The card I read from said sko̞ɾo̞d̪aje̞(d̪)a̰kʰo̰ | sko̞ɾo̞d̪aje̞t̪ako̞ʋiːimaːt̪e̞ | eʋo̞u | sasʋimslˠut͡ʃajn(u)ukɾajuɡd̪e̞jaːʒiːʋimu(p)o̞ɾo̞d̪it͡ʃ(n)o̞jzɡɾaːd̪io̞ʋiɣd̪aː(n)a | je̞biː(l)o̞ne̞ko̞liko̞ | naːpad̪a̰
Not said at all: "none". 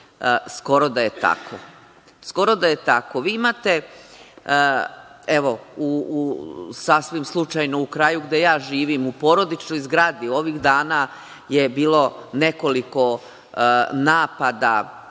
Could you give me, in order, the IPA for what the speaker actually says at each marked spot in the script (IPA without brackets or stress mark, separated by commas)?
t̪, o, p, n, n, l